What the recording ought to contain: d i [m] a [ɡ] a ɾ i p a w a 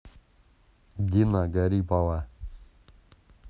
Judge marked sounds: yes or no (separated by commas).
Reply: no, yes